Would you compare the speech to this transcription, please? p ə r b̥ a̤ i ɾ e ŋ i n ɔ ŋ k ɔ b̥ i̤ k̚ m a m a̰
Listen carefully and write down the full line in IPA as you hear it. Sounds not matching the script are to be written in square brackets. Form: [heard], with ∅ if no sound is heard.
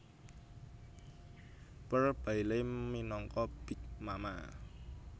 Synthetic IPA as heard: p ə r b̥ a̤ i [l] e [m] i n ɔ ŋ k ɔ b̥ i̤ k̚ m a m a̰